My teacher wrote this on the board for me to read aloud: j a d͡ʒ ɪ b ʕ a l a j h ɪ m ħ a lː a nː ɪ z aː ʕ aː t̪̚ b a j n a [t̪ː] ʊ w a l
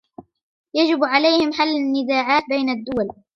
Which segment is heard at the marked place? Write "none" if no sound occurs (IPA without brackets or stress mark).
d̪ː